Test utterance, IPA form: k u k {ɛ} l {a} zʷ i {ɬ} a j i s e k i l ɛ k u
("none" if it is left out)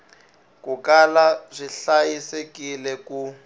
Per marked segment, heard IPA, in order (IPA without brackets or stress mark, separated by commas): a, a, ɬ